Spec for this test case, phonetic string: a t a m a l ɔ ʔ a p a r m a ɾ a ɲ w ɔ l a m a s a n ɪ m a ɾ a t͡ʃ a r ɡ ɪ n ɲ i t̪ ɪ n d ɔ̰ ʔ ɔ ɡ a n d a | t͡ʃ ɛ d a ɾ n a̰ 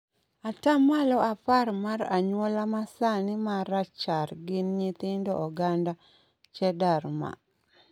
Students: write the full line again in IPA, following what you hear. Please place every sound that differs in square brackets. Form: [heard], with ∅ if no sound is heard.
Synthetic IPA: a t a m a l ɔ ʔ a p a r m a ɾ a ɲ w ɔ l a m a s a n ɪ m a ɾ a t͡ʃ a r ɡ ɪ n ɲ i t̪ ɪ n d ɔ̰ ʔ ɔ ɡ a n d a | t͡ʃ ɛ d a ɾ [m] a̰